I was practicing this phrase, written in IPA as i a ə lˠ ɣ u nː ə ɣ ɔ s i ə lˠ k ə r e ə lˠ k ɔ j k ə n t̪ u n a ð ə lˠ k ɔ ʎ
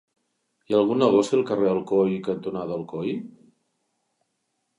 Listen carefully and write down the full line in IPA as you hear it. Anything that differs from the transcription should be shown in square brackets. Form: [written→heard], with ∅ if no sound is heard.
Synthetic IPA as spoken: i a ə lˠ ɣ u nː ə ɣ ɔ s i ə lˠ k ə r e ə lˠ k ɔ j k ə n t̪ u n a ð ə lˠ k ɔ [ʎ→j]